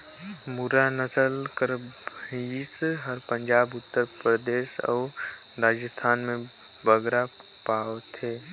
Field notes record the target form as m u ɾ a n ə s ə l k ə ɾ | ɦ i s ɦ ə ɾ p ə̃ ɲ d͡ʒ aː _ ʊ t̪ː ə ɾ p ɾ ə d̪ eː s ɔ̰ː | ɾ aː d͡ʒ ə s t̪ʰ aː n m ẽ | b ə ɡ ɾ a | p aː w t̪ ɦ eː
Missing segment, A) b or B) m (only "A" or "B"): A